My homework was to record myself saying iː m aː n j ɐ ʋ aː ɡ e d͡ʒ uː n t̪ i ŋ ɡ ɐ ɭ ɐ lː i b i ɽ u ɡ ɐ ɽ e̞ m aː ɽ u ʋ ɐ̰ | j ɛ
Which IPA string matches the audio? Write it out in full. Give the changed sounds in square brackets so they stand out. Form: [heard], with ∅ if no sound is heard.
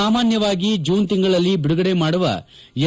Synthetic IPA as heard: [aː] m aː n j ɐ ʋ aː ɡ [i] d͡ʒ uː n t̪ i ŋ ɡ ɐ ɭ ɐ lː i b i ɽ u ɡ ɐ ɽ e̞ m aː ɽ u ʋ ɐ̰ | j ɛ